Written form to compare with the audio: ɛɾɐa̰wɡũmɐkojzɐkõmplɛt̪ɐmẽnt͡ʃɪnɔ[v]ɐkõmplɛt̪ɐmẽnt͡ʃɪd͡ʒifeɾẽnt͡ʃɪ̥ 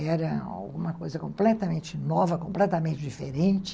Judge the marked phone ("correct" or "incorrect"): correct